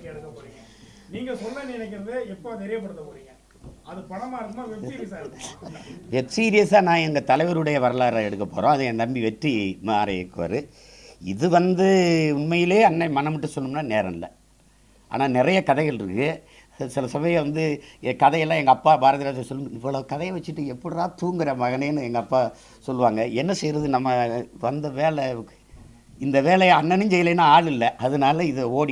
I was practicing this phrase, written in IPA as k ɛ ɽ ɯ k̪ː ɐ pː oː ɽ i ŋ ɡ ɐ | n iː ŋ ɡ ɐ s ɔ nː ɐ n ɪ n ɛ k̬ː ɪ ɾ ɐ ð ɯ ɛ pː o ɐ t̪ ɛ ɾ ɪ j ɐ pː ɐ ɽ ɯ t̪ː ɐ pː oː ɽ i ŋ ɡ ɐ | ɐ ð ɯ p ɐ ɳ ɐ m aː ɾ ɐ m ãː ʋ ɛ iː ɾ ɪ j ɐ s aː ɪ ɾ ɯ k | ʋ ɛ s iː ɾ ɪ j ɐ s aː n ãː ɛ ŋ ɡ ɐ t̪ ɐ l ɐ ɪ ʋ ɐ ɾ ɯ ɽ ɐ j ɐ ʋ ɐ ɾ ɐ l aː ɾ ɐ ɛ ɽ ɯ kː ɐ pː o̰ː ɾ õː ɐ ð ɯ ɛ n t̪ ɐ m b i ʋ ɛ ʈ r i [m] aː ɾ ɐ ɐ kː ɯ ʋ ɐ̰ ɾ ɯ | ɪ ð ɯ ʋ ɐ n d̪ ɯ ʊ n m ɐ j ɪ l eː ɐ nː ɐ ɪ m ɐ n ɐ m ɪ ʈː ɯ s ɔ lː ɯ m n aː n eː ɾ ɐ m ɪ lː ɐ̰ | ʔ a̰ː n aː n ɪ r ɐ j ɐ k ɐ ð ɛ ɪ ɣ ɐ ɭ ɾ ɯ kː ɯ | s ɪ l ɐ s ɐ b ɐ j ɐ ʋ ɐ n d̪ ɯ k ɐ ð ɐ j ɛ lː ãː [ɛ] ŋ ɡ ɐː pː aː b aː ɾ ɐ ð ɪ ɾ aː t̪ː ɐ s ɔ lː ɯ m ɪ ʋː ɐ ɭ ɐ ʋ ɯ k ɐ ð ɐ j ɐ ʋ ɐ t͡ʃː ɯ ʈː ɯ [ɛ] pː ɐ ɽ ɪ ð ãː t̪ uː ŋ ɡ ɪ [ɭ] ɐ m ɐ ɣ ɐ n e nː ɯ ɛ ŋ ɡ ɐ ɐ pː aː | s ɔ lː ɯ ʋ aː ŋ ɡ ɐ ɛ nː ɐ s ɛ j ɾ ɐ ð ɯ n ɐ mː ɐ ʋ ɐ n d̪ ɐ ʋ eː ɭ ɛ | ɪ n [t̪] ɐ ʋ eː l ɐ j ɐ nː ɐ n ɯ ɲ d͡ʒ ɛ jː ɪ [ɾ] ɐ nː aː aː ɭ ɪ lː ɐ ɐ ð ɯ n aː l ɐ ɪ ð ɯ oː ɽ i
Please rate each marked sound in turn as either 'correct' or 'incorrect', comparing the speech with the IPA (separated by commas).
correct, correct, correct, incorrect, incorrect, incorrect